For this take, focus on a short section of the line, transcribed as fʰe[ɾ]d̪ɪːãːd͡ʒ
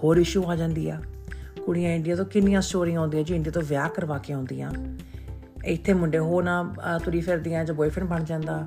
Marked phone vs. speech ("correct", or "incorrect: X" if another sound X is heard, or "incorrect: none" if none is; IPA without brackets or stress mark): correct